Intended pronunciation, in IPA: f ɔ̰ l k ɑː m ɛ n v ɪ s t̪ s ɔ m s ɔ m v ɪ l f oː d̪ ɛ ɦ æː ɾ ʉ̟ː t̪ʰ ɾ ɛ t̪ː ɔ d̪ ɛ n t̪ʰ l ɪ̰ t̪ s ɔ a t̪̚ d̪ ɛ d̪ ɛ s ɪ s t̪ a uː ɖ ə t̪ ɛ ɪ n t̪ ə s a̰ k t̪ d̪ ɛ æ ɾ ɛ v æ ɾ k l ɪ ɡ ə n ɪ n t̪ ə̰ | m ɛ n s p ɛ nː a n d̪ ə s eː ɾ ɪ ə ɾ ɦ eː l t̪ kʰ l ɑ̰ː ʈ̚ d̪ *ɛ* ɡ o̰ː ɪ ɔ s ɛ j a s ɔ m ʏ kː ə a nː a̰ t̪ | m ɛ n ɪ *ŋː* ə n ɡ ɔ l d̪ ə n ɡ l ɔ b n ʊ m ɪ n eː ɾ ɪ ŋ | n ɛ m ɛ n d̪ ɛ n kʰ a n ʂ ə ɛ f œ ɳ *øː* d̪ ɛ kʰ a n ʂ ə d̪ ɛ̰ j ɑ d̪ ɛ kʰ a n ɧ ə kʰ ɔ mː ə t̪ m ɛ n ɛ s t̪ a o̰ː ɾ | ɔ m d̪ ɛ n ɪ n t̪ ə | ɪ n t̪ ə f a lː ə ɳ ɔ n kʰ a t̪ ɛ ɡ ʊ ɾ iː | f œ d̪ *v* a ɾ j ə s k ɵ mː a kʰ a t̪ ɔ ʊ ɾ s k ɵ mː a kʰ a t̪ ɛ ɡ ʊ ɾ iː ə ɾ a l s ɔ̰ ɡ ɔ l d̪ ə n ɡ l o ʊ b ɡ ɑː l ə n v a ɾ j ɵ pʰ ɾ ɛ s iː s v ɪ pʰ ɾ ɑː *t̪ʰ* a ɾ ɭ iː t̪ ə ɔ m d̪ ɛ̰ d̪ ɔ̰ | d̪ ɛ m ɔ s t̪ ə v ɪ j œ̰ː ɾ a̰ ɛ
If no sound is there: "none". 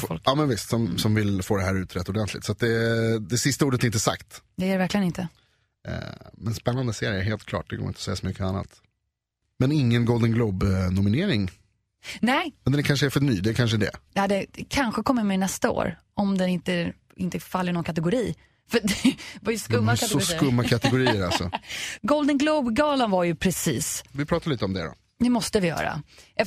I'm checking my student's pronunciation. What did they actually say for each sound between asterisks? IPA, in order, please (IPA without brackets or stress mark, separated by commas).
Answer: ɛ, ŋː, yː, v, t̪